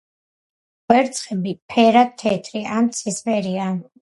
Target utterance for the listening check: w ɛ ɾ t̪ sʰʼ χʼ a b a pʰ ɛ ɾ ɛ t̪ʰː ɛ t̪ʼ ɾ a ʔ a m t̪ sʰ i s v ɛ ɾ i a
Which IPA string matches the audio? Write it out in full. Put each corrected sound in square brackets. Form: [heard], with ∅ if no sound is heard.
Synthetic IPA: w ɛ ɾ t̪ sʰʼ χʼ [ɛ] b [i] pʰ ɛ ɾ [a] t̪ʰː ɛ t̪ʼ ɾ [i] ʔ a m t̪ sʰ i s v ɛ ɾ i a